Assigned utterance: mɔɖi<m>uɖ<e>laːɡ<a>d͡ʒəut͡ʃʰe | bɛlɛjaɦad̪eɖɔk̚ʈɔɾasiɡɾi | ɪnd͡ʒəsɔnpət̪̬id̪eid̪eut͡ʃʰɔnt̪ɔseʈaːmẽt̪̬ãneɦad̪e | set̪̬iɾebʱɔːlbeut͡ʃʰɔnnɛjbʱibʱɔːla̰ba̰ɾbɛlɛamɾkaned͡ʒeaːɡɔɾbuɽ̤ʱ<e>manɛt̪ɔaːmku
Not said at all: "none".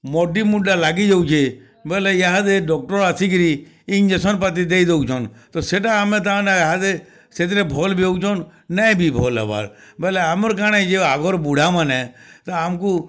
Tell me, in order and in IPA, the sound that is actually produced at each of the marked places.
m, a, i, a

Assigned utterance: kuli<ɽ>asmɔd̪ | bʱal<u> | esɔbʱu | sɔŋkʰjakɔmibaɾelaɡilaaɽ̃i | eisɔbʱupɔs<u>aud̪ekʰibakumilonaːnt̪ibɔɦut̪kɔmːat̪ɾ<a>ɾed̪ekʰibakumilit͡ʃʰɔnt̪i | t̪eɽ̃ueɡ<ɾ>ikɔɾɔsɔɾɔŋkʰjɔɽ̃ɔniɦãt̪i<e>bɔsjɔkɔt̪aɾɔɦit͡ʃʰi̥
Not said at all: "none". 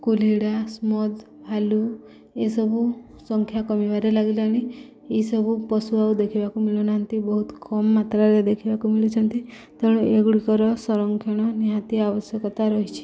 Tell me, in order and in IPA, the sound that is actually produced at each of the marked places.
ɽ, u, u, a, ɽ, a

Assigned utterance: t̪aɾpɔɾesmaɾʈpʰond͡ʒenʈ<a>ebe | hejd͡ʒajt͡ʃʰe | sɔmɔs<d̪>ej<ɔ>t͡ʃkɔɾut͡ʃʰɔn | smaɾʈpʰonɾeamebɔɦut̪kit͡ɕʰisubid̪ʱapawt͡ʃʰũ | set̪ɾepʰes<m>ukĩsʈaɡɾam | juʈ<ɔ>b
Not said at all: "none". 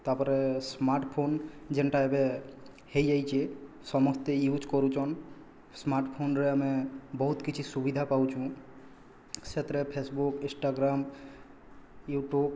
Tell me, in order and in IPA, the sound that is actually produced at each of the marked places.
a, t̪, u, b, u

